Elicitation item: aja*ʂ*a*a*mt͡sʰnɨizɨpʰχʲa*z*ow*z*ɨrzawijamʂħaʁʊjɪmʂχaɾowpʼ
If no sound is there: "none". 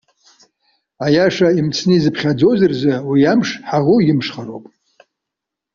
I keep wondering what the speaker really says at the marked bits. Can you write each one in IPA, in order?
ʂ, i, d͡z, z

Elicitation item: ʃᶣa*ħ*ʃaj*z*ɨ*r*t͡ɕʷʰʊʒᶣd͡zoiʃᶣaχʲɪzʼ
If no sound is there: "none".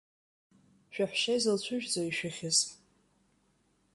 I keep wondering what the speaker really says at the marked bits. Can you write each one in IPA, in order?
ħ, z, l

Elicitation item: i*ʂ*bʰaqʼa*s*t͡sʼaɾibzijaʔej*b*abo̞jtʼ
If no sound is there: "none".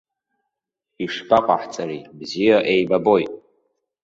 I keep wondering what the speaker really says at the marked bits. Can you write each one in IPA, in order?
ʂ, ħ, b

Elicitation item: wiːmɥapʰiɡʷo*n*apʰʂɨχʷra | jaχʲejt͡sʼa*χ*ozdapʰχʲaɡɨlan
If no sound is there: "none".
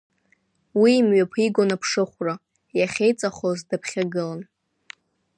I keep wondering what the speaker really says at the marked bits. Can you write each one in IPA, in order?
n, χ

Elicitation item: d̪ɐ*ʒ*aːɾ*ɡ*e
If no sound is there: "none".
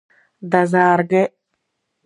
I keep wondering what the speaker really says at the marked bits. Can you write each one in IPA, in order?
z, ɡ

